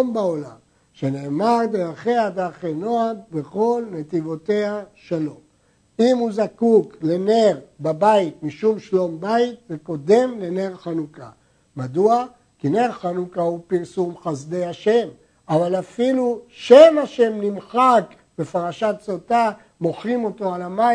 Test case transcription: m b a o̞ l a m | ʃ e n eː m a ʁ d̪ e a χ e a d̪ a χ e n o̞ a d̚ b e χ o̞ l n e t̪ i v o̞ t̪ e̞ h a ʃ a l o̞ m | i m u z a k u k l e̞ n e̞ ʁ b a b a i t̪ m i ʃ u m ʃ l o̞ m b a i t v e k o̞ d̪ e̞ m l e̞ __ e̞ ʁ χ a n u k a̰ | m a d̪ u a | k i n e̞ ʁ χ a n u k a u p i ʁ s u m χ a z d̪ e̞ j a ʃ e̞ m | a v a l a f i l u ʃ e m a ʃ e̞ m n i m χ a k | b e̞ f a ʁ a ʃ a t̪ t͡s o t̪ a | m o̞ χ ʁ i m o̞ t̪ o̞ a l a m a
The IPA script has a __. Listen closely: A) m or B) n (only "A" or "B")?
B